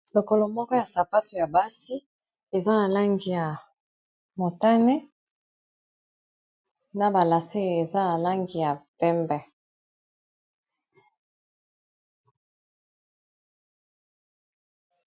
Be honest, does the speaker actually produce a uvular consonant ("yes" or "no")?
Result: no